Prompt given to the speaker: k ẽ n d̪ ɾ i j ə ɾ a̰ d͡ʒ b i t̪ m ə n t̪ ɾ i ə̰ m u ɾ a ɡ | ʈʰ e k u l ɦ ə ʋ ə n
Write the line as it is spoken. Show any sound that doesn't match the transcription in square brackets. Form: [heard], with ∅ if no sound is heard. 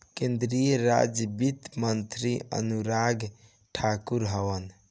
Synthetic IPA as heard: k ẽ n d̪ ɾ i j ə ɾ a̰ d͡ʒ b i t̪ m ə n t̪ ɾ i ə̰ [n] u ɾ a ɡ | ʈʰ [a] k u [ɾ] ɦ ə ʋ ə n